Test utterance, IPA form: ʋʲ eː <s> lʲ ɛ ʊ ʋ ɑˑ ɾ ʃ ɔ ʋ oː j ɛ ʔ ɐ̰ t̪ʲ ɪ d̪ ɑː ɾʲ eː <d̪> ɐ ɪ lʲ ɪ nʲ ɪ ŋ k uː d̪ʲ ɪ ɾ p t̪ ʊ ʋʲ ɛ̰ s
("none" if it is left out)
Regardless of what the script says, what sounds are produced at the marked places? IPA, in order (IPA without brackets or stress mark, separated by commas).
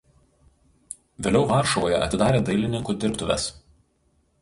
none, d̪